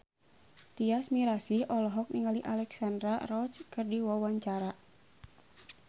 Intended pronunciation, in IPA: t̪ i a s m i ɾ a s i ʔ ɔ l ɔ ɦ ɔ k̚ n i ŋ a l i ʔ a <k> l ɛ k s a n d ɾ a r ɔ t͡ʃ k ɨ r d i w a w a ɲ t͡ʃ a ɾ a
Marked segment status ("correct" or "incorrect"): incorrect